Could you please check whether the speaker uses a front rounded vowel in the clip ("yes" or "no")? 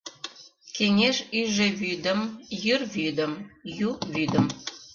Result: yes